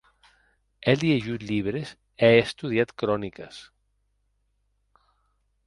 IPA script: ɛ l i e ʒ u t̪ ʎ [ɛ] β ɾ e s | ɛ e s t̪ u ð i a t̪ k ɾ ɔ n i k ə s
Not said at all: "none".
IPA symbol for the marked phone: i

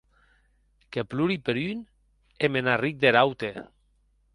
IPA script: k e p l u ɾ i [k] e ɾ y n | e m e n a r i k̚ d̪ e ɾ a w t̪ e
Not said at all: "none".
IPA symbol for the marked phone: p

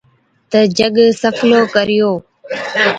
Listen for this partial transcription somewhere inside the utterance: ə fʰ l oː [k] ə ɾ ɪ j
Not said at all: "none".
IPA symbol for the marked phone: k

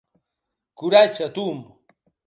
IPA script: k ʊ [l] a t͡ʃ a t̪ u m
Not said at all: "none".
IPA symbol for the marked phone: ɾ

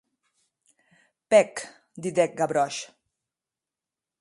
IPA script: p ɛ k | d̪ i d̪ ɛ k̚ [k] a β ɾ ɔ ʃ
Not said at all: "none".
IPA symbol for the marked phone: ɡ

